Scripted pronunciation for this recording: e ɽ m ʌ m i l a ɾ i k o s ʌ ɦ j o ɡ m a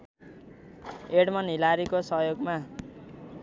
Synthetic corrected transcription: e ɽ m ʌ n i l a ɾ i k o s ʌ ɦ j o ɡ m a